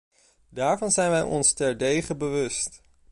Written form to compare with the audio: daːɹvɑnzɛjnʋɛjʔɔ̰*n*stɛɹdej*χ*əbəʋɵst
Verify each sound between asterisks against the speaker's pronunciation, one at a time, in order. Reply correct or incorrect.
correct, correct

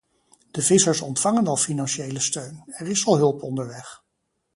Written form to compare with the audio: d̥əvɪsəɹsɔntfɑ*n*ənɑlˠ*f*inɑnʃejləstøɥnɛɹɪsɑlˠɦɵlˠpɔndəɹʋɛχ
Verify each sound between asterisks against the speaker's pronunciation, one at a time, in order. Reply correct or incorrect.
incorrect, correct

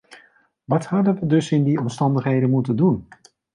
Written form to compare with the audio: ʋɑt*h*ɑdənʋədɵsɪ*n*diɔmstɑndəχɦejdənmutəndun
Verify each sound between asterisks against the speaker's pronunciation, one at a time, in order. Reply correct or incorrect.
correct, correct

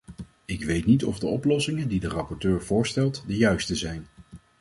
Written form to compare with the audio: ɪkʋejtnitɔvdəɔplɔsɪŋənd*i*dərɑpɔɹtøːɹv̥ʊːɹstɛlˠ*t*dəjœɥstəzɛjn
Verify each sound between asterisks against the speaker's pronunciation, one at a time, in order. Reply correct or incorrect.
correct, correct

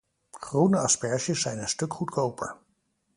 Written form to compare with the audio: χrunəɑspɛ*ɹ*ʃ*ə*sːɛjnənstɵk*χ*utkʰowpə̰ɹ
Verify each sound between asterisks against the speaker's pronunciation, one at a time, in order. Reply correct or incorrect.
correct, correct, correct

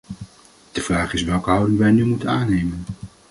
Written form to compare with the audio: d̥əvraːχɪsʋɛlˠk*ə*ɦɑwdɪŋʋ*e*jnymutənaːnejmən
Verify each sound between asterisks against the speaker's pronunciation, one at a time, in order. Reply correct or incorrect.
correct, incorrect

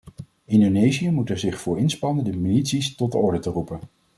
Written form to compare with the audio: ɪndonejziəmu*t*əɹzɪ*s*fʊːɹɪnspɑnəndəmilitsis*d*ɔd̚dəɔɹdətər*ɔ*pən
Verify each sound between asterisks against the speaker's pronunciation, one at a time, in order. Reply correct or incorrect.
correct, incorrect, incorrect, incorrect

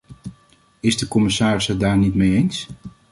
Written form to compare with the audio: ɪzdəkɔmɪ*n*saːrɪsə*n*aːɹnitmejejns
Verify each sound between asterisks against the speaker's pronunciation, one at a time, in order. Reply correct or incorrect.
incorrect, incorrect

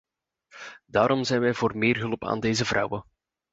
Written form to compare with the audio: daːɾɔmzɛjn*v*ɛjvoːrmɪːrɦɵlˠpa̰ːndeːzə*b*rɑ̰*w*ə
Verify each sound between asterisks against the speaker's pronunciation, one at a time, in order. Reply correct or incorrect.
incorrect, incorrect, correct

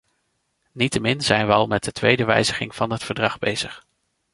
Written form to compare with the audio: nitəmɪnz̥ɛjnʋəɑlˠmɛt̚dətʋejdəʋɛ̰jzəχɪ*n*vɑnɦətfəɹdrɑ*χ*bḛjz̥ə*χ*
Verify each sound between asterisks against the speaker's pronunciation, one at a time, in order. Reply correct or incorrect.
incorrect, correct, correct

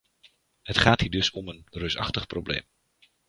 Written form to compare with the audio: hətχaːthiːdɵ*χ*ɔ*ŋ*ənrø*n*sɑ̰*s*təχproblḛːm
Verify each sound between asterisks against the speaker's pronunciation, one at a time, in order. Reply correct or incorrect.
incorrect, incorrect, incorrect, incorrect

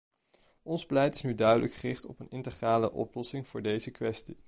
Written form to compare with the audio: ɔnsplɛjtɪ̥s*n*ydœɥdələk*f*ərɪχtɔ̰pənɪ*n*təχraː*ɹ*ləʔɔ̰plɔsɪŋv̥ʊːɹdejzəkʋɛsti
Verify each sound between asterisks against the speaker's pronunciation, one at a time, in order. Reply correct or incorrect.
correct, incorrect, correct, incorrect

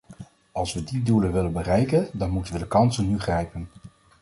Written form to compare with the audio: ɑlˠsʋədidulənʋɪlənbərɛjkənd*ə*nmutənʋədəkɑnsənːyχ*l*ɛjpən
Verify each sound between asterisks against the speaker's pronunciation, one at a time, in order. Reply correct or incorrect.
incorrect, incorrect

